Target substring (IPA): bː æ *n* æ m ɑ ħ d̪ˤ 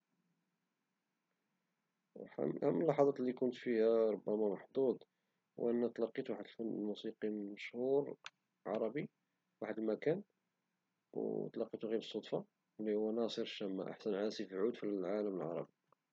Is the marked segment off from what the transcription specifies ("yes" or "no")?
yes